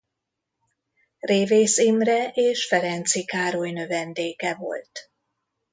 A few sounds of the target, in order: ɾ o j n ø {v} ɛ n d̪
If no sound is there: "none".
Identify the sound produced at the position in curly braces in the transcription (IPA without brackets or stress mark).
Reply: v